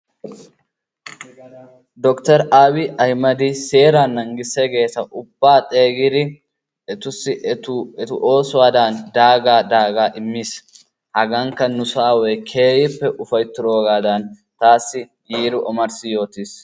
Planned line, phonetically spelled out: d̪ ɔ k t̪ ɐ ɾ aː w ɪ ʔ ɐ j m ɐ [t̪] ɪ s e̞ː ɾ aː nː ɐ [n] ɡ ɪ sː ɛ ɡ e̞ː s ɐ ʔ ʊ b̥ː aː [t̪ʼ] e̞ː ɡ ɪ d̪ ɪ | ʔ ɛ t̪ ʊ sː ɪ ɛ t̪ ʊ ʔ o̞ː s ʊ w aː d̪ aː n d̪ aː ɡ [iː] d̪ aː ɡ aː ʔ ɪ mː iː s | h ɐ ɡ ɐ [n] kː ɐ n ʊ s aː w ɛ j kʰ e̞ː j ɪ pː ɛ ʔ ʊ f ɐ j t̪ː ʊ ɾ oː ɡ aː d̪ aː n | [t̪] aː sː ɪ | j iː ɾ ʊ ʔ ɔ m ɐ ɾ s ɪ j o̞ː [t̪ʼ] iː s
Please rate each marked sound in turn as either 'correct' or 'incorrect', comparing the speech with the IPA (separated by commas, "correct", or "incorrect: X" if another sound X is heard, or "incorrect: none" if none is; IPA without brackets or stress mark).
incorrect: d̪, incorrect: ŋ, correct, incorrect: aː, incorrect: ŋ, correct, incorrect: t̪